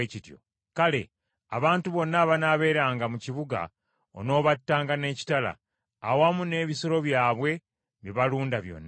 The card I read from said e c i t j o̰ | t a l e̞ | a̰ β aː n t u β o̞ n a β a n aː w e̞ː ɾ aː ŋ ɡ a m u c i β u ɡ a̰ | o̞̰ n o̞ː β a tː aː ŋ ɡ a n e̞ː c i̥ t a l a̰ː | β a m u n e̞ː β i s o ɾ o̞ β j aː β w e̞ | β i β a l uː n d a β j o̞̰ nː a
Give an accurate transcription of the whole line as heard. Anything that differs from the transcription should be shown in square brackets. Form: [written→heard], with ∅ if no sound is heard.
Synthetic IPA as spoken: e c i t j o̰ | [t→k] a l e̞ | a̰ β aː n t u β o̞ [n→nː] a β a n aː [w→β] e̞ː ɾ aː ŋ ɡ a m u c i β u ɡ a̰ | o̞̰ n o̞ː β a tː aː ŋ ɡ a n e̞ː c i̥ t a l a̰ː | [β→w] a m u n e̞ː β i s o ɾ o̞ β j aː β w e̞ | β i β a l uː n d a β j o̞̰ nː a